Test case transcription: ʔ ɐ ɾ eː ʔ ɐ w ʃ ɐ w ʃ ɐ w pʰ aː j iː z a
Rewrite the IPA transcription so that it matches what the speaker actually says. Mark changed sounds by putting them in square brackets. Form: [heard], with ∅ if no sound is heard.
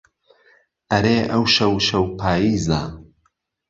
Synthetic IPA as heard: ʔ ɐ ɾ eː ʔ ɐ w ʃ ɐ w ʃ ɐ w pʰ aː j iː z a